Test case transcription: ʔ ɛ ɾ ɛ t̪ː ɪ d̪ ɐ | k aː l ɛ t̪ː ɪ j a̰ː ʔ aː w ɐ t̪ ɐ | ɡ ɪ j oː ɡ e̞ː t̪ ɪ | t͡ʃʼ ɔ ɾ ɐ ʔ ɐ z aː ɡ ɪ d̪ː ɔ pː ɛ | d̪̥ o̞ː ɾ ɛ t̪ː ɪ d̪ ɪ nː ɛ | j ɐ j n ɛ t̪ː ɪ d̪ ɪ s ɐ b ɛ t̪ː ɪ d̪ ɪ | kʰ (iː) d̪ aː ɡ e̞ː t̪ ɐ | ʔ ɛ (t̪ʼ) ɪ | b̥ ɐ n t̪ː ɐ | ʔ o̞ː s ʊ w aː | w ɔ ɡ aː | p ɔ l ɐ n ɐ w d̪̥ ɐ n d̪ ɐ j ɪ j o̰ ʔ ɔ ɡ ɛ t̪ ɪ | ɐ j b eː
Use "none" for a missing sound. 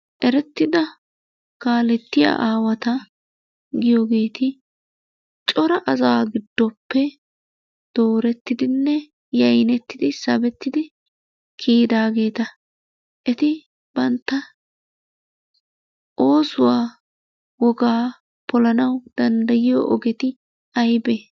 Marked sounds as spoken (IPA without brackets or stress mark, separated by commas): iː, t̪